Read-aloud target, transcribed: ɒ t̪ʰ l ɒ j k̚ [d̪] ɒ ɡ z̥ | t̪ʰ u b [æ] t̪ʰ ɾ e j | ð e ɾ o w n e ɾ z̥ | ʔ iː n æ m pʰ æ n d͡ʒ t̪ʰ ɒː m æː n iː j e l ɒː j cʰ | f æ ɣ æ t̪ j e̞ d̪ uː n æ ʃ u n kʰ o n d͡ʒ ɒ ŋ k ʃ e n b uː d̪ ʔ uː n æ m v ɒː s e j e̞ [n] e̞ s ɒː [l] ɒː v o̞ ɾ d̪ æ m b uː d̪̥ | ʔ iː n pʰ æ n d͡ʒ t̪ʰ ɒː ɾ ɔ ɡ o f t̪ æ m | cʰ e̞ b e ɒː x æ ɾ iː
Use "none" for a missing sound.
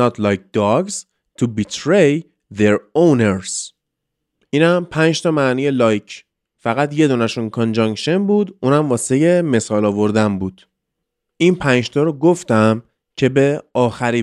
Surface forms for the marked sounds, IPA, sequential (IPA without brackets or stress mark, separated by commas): d̪, i, m, l